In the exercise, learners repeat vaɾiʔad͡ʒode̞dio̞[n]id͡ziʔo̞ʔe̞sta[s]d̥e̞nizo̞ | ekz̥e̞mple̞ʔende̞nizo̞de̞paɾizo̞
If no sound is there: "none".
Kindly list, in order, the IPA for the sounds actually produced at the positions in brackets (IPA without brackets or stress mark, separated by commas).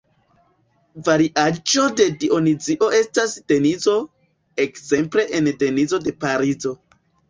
n, s